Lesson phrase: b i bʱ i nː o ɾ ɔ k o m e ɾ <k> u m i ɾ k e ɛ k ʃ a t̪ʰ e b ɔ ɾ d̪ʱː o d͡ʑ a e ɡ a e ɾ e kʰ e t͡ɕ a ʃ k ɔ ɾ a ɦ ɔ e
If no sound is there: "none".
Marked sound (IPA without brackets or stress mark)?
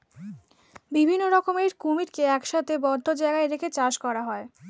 k